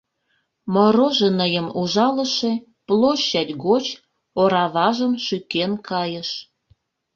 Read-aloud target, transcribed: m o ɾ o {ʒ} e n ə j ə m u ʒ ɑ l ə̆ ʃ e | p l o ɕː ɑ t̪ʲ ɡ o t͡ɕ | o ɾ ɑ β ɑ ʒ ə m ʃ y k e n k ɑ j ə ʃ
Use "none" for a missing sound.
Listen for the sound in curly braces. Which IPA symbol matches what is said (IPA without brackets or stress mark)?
ʒ